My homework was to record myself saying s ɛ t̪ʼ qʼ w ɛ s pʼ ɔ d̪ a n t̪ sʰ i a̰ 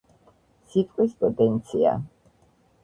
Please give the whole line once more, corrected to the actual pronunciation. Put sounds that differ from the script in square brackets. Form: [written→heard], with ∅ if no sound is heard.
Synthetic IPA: s [ɛ→i] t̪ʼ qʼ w [ɛ→i] s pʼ ɔ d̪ [a→ɛ] n t̪ sʰ i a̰